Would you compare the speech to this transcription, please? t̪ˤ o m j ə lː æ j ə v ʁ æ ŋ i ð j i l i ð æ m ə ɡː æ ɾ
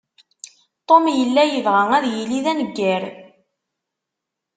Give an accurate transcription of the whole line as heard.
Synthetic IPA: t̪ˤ o m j ə lː æ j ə v ʁ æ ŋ æ ð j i l i ð æ n ə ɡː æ ɾ